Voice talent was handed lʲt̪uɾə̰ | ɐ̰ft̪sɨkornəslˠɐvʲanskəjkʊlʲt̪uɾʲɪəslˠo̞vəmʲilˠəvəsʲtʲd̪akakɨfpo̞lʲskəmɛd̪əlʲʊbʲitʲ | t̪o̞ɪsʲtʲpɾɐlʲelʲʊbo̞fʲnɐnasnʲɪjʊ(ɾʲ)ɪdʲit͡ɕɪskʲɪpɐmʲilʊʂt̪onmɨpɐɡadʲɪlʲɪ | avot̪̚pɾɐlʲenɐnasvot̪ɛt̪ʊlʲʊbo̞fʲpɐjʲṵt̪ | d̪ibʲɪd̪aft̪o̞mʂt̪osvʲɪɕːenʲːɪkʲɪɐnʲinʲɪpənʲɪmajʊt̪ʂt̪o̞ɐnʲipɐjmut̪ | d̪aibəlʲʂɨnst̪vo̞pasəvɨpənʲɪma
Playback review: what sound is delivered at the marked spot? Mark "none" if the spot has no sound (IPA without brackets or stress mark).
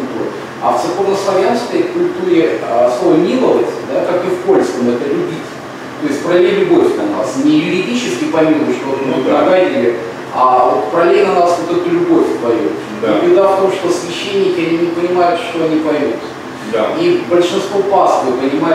ɾʲ